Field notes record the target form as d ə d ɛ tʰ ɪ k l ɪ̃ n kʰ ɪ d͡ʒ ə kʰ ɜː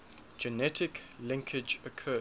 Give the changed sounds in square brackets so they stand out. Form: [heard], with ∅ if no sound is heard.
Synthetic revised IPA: [d͡ʒ] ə [n] ɛ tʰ ɪ k l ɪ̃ [ŋ] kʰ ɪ d͡ʒ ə kʰ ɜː